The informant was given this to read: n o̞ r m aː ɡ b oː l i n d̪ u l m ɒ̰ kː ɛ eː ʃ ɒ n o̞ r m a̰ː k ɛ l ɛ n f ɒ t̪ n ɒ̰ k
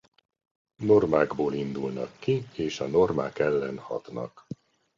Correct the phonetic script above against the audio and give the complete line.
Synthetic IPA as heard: n o̞ r m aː ɡ b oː l i n d̪ u l n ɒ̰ kː i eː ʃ ɒ n o̞ r m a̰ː k ɛ lː ɛ n h ɒ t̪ n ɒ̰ k